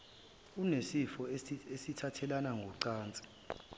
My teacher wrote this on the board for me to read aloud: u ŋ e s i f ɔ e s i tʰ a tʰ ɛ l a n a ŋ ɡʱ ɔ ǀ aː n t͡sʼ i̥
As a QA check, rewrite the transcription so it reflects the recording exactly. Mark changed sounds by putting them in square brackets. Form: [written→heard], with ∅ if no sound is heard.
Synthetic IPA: u [ŋ→n] e s i f ɔ e s i tʰ a tʰ ɛ l a n a ŋ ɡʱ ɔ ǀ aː n t͡sʼ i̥